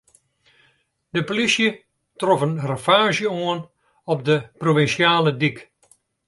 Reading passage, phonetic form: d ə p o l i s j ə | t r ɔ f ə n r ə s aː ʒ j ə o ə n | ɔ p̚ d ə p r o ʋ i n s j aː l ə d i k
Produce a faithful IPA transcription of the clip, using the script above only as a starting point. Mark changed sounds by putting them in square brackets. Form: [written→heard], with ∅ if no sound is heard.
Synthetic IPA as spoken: d ə p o l i s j ə | t r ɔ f ə n r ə [s→f] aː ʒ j ə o ə n | ɔ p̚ d ə p r o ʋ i n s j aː l ə d i k